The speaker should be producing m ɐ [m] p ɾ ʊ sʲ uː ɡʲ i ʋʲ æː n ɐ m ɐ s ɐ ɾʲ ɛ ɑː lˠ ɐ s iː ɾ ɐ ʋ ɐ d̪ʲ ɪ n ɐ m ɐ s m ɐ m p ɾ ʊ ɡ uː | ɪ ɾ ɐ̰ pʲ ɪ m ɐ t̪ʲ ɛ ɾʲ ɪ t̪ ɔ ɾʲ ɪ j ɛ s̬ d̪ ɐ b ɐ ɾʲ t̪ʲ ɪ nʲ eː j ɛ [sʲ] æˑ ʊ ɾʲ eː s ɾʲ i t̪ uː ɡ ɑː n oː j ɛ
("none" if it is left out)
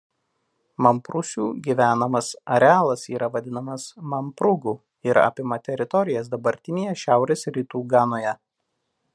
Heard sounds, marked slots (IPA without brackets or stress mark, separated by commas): m, ʃʲ